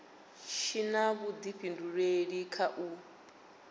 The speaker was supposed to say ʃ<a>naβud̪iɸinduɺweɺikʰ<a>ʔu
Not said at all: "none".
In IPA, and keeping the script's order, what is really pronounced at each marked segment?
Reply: i, a

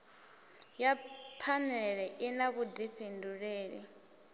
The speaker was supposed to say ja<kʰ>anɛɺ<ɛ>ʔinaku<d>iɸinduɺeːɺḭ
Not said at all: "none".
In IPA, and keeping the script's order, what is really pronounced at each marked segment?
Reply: pʰ, ɛ, d

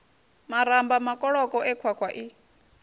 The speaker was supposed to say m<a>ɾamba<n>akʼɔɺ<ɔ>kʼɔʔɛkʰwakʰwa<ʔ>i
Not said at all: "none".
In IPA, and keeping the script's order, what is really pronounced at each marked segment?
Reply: a, m, ɔ, ʔ

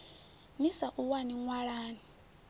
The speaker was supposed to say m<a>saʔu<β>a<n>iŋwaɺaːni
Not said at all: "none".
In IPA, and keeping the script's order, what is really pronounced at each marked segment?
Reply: i, w, n

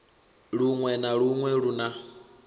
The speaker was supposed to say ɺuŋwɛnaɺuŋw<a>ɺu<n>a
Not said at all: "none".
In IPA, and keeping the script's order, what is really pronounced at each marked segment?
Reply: ɛ, n

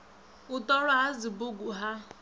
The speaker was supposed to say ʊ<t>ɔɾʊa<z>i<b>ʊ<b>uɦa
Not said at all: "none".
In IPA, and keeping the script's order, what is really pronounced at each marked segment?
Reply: t, z, b, ɡ

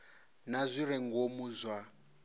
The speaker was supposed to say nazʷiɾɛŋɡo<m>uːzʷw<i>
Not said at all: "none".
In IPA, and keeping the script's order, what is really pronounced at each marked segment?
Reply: m, a

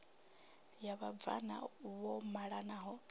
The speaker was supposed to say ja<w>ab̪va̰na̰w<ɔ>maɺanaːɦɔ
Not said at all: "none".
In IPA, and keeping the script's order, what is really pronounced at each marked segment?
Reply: β, ɔ

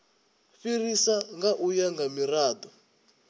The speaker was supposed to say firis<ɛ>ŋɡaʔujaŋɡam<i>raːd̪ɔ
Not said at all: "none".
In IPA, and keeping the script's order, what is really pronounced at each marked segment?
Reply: a, i

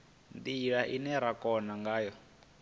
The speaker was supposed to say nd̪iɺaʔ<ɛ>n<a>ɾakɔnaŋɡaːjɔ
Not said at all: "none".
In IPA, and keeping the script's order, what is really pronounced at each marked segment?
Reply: i, ɛ

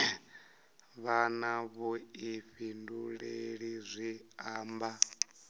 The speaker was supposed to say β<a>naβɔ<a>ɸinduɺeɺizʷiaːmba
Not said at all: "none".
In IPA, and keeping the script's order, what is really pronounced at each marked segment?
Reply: a, i

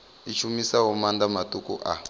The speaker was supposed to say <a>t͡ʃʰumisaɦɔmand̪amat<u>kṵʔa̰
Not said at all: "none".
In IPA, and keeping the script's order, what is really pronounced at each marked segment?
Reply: i, u

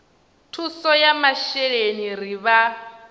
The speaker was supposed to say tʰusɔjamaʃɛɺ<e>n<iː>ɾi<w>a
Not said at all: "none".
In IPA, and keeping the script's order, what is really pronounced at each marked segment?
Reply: e, i, β

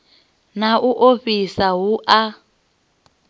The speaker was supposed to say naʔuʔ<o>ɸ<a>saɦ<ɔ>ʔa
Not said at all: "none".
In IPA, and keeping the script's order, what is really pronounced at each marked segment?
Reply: o, i, u

